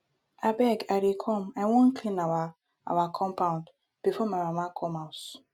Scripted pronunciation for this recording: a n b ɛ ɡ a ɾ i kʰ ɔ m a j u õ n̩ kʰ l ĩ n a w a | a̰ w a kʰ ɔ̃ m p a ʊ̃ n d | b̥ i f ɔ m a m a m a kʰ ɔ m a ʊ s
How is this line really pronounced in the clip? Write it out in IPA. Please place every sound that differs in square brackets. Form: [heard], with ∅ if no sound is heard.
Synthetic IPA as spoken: a [∅] b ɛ ɡ a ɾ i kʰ ɔ m a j [w] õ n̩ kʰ l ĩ n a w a | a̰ w a kʰ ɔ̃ m p a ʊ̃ n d | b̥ i f ɔ m a m a m a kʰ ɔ m a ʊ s